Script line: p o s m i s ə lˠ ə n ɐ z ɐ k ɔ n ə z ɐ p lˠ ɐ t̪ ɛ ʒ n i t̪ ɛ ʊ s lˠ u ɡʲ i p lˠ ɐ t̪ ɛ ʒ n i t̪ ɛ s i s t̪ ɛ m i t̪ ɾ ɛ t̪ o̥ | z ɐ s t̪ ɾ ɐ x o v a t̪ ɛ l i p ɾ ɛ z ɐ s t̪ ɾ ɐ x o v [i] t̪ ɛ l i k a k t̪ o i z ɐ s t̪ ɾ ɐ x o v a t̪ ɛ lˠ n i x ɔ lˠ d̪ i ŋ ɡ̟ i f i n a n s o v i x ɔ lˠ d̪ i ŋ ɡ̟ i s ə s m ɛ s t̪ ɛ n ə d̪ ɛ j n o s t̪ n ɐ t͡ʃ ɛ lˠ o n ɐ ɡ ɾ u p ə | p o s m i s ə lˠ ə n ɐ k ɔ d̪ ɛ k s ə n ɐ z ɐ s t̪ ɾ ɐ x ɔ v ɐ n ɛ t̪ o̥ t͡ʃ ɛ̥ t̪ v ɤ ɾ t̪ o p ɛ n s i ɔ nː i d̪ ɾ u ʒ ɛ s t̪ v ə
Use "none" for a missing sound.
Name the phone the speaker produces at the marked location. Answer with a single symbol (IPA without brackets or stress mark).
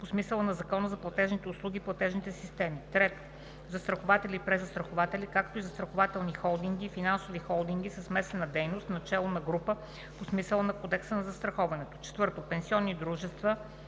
a